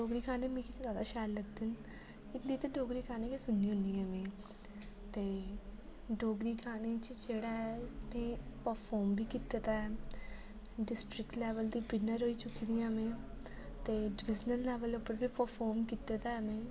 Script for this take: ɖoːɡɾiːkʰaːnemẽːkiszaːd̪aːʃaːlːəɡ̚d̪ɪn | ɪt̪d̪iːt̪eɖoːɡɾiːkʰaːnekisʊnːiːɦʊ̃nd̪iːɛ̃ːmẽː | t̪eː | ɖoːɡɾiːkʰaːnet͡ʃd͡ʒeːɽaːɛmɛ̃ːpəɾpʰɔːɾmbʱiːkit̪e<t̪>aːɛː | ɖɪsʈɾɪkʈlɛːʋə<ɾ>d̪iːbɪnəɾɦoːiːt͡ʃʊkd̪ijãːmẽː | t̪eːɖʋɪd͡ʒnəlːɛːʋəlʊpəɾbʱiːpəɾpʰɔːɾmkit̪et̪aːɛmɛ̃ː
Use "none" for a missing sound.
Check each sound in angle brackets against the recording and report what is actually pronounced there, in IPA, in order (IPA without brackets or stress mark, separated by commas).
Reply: t̪, l